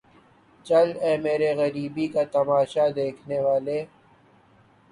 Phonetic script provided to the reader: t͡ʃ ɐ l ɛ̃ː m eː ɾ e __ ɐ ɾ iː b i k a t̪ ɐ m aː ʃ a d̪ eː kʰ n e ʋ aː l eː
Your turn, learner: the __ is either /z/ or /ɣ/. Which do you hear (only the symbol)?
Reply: ɣ